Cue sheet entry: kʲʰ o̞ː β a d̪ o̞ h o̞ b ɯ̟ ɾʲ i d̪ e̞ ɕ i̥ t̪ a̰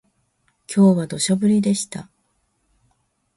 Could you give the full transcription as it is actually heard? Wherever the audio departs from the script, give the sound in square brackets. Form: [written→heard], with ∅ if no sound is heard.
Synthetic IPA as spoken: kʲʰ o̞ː β a d̪ o̞ [h→ɕ] o̞ b ɯ̟ ɾʲ i d̪ e̞ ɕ i̥ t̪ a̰